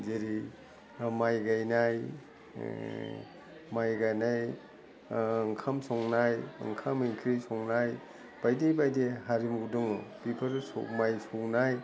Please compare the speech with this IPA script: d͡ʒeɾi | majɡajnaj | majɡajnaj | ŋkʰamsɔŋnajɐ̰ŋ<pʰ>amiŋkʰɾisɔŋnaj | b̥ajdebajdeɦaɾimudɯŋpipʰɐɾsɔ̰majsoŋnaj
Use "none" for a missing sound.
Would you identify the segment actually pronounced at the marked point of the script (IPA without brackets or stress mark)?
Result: kʰ